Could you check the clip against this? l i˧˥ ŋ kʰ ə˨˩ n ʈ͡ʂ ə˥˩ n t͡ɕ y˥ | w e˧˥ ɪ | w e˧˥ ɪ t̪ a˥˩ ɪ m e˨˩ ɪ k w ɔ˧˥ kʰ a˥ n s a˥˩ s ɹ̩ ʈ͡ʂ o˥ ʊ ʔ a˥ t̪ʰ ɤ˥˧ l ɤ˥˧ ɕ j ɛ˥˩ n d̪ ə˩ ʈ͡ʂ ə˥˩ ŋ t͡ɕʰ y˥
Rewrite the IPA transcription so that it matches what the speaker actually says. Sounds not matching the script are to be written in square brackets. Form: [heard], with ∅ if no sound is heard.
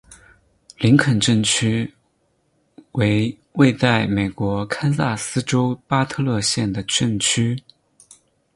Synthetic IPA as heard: l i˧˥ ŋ kʰ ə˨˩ n ʈ͡ʂ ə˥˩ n [t͡ɕʰ] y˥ | w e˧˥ ɪ | w [e˥˧] ɪ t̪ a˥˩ ɪ m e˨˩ ɪ k w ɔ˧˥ kʰ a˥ n s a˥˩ s ɹ̩ ʈ͡ʂ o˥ ʊ [p] a˥ t̪ʰ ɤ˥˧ l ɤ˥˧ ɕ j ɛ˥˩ n d̪ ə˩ ʈ͡ʂ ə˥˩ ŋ t͡ɕʰ y˥